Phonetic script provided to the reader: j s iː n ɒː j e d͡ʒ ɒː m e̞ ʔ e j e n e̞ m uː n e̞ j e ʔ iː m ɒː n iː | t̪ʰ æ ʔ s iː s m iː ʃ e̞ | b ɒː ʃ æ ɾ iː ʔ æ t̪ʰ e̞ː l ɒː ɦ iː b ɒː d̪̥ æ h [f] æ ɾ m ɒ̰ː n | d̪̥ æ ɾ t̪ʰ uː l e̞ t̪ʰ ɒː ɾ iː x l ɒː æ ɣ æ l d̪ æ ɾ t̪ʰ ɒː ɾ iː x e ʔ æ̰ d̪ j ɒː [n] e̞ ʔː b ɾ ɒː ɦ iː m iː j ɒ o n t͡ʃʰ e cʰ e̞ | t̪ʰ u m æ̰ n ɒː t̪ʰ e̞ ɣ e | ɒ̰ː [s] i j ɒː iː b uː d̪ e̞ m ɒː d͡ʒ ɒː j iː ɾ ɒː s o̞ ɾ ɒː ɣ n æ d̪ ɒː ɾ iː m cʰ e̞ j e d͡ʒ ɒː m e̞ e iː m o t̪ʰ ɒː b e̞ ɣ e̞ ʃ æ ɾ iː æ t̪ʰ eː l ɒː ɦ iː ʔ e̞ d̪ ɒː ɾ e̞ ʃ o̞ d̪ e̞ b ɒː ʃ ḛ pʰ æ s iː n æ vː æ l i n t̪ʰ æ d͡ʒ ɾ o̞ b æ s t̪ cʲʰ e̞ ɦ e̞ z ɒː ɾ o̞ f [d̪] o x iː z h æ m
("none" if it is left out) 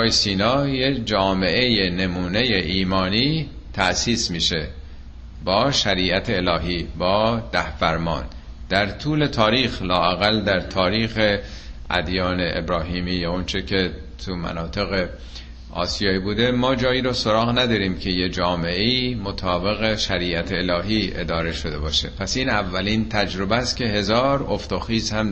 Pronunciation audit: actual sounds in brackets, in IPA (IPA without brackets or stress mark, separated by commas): f, n, s, t̪